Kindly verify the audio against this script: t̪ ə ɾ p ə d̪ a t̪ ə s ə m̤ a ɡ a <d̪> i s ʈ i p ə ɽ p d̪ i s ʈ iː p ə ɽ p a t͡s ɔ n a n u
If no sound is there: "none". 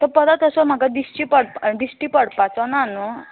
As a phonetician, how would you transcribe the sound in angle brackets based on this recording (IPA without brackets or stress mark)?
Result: d̪